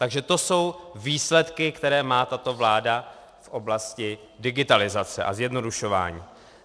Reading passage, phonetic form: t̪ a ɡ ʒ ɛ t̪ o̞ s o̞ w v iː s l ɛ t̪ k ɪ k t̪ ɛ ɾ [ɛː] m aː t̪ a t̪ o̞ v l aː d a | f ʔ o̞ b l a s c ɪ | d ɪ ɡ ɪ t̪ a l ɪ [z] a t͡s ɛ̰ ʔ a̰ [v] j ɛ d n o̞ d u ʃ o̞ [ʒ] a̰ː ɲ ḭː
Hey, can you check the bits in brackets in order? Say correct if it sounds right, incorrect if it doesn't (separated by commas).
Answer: correct, correct, incorrect, incorrect